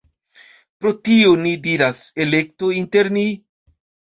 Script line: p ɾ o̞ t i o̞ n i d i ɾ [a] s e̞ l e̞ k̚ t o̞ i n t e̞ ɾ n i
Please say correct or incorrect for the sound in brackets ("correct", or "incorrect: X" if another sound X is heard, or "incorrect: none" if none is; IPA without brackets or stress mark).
correct